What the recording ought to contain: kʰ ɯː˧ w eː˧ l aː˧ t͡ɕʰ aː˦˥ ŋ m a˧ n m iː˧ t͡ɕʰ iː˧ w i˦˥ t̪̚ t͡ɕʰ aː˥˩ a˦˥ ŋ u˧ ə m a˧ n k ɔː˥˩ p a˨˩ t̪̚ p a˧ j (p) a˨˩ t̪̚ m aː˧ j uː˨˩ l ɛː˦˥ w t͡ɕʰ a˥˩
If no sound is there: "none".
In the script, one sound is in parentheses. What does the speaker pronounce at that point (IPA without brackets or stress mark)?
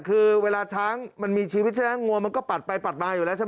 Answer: p